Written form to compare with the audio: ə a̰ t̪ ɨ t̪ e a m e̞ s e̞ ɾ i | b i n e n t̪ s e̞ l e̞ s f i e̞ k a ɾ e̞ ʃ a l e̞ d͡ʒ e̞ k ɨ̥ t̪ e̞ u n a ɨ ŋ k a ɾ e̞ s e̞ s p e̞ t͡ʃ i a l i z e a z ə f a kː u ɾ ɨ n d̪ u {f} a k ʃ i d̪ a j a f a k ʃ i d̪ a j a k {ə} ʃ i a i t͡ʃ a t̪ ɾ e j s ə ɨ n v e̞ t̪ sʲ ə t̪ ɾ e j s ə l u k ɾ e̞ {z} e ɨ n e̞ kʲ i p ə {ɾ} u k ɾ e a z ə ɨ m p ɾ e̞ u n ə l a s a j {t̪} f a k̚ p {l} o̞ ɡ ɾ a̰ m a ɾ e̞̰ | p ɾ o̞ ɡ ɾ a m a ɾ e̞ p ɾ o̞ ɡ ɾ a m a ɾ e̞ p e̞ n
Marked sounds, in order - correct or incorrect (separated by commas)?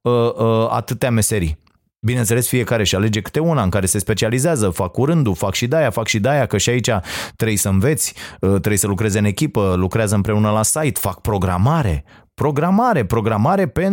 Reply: correct, correct, correct, incorrect, correct, incorrect